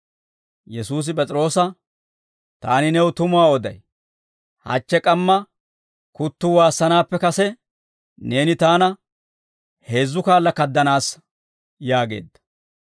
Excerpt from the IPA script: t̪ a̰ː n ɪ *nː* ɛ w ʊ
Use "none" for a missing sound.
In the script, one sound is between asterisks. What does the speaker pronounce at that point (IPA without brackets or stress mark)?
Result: n